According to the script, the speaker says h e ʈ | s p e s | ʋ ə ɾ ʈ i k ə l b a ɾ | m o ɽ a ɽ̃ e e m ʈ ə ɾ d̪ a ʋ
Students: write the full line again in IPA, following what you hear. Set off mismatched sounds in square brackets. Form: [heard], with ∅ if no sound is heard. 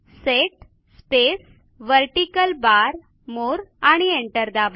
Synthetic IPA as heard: [s] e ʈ | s p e s | ʋ ə ɾ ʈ i k ə l b a ɾ | m o [ɾ] a ɽ̃ [i] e [ɳ] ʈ ə ɾ d̪ a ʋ